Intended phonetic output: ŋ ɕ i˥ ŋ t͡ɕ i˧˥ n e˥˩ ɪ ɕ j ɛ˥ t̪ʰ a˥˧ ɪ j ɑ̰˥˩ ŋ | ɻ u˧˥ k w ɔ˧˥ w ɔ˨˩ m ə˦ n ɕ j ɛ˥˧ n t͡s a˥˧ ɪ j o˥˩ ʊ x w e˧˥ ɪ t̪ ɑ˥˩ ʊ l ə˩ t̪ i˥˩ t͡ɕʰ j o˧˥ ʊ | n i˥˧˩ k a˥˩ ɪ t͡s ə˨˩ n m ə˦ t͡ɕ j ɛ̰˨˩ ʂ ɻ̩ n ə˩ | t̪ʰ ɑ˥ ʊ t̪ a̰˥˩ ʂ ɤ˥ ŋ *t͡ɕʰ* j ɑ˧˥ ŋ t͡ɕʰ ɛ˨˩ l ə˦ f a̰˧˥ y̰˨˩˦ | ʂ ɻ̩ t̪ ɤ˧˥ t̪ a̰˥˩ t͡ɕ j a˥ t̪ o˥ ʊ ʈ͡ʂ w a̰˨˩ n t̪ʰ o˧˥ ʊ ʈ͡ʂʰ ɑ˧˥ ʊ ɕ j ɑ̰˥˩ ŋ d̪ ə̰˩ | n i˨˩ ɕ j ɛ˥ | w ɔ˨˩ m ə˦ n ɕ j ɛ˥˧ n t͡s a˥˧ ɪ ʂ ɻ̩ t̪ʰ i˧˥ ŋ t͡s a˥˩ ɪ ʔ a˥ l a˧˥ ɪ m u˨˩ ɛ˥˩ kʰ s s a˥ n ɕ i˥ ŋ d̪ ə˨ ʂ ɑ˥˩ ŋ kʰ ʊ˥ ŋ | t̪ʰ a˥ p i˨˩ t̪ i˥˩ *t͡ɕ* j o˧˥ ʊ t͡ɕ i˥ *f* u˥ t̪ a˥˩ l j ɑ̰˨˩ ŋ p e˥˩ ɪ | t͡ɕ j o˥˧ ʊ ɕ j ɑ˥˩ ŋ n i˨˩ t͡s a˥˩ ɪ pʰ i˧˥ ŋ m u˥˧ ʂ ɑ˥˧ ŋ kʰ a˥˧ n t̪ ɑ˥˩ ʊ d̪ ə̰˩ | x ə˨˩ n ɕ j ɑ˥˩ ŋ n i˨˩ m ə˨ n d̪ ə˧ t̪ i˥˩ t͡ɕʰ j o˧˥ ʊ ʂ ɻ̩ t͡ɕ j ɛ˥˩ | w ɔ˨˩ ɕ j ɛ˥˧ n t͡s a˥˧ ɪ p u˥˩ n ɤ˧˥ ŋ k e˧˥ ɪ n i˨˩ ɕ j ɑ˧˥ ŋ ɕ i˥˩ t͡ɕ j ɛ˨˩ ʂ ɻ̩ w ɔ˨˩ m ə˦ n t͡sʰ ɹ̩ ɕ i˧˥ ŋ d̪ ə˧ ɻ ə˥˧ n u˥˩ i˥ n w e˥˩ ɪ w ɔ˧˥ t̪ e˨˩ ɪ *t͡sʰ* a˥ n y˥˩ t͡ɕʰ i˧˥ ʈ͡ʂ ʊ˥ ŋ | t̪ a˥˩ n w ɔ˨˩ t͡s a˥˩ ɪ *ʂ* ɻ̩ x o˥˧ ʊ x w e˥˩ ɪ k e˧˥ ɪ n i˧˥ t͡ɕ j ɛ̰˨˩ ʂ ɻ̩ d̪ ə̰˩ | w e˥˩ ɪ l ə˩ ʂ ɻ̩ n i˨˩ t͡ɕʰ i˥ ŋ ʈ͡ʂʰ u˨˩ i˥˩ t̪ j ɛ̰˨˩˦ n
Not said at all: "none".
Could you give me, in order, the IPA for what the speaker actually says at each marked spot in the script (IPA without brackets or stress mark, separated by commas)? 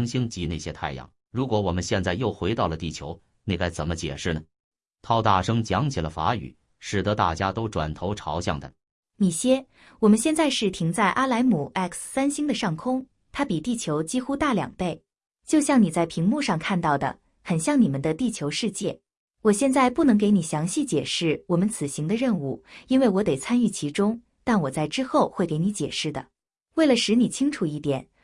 t͡ɕ, t͡ɕʰ, x, t͡sʰ, ʈ͡ʂ